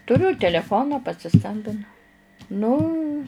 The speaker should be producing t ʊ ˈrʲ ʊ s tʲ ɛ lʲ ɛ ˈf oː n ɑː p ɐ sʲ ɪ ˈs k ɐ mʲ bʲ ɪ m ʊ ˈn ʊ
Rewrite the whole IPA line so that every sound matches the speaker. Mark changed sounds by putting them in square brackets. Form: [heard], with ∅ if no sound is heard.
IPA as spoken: t ʊ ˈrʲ ʊ [∅] tʲ ɛ lʲ ɛ ˈf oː n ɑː p ɐ sʲ ɪ ˈs k ɐ mʲ bʲ ɪ [n] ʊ ˈn ʊ